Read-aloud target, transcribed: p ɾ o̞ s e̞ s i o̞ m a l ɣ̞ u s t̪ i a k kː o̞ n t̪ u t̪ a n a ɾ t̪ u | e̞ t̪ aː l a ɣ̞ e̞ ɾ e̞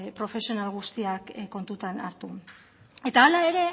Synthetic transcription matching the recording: p ɾ o̞ f e̞ s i o̞ n a l ɣ̞ u s t̪ i a k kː o̞ n t̪ u t̪ a n a ɾ t̪ u | e̞ t̪ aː l a e̞ ɾ e̞